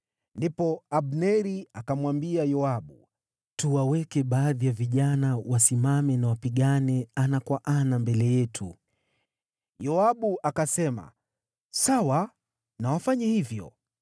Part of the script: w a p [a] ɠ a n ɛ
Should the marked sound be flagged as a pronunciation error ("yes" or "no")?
yes